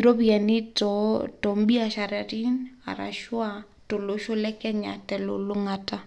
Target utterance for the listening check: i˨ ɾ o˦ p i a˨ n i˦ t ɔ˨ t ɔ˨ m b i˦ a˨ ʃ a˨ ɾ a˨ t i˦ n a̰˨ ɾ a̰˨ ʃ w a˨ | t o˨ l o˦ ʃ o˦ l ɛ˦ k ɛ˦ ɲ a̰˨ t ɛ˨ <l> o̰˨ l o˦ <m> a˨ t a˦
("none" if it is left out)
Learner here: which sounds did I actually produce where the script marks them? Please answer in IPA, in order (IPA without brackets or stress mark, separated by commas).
l, ŋ